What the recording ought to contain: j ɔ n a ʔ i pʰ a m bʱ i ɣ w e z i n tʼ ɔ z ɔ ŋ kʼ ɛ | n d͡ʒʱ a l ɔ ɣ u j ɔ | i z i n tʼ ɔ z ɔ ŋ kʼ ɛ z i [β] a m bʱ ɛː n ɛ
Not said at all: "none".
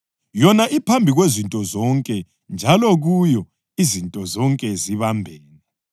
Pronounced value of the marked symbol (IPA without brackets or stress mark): β